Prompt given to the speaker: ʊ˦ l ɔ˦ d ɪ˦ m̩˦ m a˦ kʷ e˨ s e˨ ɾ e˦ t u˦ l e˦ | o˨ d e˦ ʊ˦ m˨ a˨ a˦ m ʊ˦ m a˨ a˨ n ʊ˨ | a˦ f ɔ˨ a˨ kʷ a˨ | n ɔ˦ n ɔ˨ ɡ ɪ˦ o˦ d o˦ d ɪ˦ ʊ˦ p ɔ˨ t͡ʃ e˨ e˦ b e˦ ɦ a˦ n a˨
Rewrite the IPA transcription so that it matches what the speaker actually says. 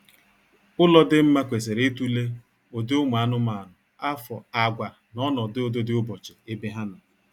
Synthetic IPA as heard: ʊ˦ l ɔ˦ d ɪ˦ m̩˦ m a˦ kʷ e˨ s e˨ ɾ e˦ t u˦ l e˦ | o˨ d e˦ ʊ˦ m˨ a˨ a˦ n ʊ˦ m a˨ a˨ n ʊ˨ | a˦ f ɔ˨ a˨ ɡʷ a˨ | n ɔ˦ n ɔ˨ d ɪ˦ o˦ d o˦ d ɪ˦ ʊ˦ b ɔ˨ t͡ʃ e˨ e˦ b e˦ ɦ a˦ n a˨

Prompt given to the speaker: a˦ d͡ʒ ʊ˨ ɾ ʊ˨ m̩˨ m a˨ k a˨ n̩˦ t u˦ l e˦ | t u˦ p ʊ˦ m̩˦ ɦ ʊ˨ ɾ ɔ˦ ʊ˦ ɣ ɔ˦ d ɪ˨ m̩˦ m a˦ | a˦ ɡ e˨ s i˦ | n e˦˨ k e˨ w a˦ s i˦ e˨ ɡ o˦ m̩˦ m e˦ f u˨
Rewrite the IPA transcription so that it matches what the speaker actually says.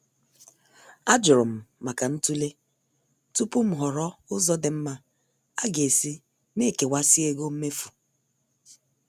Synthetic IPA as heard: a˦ d͡ʒ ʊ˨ ɾ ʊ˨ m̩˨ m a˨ k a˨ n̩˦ t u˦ l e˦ | t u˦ p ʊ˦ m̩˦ ɦ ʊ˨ ɾ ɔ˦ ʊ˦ z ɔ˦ d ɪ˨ m̩˦ m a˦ | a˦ ɡ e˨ s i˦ | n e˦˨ k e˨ w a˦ s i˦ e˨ ɡ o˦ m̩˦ m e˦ f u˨

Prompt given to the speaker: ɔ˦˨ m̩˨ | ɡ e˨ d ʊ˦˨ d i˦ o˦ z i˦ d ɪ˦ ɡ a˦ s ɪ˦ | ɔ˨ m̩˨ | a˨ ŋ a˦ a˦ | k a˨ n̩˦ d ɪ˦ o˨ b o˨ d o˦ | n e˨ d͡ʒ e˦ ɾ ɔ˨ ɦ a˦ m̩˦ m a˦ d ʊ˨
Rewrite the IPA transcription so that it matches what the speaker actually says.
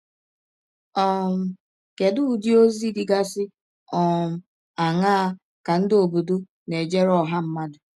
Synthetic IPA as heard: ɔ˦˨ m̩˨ | k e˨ d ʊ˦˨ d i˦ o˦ z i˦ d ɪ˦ ɡ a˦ s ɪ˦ | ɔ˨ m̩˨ | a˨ ŋ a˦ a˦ | k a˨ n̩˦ d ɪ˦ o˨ b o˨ d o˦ | n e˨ d͡ʒ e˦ ɾ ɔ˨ ɦ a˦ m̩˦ m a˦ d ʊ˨

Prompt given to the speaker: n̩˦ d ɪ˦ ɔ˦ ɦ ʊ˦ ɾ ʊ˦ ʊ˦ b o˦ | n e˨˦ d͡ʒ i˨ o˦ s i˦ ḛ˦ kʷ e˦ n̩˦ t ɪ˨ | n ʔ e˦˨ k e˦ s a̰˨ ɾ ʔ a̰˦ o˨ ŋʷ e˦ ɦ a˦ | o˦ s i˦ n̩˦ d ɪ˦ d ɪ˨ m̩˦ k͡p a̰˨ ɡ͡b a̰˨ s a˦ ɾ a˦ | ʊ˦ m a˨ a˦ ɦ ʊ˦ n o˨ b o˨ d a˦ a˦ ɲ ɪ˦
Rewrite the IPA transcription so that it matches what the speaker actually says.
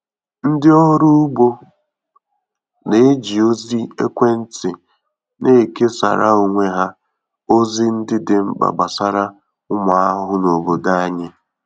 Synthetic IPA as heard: n̩˦ d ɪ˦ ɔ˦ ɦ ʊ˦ ɾ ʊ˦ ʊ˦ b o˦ | n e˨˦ d͡ʒ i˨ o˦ z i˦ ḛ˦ kʷ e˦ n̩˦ t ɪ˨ | n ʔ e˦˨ k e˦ s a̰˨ ɾ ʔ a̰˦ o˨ ŋʷ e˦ ɦ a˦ | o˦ z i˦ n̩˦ d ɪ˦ d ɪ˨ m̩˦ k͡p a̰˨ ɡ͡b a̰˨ s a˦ ɾ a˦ | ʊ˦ m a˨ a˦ ɦ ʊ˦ n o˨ b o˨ d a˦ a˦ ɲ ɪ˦

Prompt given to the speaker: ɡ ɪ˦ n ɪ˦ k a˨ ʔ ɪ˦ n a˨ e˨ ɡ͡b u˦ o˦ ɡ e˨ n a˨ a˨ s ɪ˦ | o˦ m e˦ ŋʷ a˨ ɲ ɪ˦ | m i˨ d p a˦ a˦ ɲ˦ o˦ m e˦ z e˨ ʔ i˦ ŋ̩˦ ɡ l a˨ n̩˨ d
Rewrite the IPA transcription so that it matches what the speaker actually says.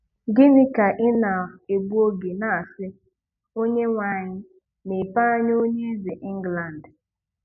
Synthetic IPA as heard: ɡ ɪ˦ n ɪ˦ k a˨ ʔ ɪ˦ n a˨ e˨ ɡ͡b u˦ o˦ ɡ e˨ n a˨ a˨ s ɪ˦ | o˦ ɲ e˦ ŋʷ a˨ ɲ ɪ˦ | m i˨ p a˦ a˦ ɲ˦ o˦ ɲ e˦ z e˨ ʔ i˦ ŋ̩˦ ɡ l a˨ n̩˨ d

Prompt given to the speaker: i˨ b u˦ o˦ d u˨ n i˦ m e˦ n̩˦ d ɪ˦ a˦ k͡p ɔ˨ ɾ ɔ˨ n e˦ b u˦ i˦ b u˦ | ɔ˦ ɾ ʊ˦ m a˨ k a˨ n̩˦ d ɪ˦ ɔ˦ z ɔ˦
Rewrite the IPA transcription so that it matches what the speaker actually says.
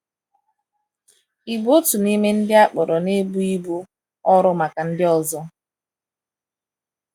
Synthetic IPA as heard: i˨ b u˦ o˦ t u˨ n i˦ m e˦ n̩˦ d ɪ˦ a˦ k͡p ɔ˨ ɾ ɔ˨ n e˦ b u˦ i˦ b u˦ | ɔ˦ ɾ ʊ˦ m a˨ k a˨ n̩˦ d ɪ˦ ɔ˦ z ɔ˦

